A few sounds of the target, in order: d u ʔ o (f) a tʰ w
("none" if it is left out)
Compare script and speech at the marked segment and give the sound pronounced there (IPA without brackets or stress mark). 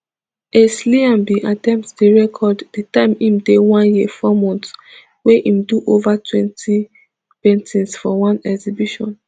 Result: v